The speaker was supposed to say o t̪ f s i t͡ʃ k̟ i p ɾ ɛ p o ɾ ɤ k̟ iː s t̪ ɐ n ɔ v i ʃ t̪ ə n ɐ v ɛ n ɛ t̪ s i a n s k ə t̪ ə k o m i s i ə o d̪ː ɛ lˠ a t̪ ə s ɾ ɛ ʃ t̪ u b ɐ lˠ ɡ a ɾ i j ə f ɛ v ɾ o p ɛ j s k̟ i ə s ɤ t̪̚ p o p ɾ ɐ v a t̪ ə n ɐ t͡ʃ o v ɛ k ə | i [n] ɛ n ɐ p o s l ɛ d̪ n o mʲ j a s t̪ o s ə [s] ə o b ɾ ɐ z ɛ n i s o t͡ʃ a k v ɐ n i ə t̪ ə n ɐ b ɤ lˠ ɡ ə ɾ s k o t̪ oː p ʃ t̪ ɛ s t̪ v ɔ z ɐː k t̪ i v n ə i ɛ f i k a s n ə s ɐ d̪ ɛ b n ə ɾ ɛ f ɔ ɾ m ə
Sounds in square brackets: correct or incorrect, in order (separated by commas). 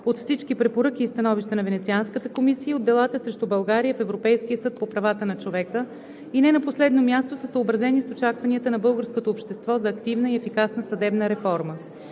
correct, correct